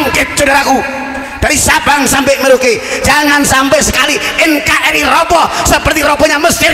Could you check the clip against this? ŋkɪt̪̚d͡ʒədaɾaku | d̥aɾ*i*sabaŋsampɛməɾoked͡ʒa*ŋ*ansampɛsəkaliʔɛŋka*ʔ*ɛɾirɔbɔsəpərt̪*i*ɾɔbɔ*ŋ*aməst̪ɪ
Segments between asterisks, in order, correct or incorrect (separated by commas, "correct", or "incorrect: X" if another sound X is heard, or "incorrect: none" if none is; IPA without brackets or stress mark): correct, correct, correct, correct, incorrect: ɲ